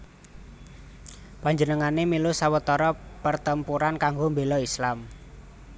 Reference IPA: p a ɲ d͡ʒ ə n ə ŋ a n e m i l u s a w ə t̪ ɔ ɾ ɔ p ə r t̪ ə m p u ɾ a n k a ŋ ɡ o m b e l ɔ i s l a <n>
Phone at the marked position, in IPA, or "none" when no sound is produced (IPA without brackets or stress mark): m